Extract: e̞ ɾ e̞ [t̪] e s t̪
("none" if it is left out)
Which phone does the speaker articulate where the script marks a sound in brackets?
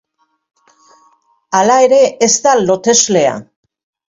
none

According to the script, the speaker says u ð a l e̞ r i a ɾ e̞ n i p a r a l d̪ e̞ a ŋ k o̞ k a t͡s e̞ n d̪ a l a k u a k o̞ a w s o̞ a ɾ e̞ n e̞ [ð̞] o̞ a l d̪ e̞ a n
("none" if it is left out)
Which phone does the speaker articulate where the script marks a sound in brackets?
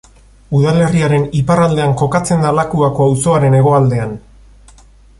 ɣ̞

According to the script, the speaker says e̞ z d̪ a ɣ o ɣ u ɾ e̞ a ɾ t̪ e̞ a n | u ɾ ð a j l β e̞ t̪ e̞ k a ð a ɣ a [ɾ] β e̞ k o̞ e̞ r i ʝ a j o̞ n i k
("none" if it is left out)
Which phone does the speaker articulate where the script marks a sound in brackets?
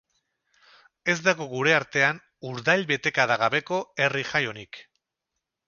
none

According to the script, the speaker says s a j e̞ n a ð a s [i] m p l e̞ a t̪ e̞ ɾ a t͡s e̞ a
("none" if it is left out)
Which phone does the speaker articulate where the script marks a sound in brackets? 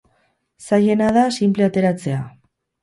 i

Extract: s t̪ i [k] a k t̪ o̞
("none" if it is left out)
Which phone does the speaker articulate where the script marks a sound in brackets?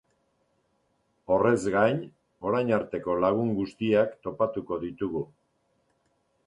none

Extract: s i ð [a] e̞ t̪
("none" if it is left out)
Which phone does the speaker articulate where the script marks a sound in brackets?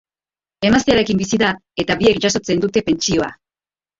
a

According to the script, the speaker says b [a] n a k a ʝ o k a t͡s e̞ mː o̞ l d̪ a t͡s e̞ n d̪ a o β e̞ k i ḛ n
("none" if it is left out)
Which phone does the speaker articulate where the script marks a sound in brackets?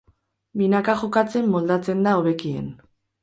i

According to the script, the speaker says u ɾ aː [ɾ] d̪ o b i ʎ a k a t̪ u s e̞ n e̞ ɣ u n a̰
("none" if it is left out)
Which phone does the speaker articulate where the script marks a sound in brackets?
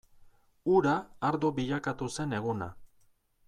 ɾ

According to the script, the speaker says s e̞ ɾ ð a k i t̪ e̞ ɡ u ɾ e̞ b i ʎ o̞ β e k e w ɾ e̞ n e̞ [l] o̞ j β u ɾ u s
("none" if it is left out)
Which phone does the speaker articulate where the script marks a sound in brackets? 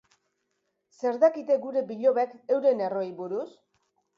r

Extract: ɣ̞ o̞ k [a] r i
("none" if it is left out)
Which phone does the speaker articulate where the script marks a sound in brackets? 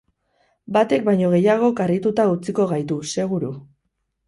a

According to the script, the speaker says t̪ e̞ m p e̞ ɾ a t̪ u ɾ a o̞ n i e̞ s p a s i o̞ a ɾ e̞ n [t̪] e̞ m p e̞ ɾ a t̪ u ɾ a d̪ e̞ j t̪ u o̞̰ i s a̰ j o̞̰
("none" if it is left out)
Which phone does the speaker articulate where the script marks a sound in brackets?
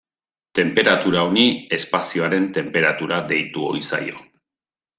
t̪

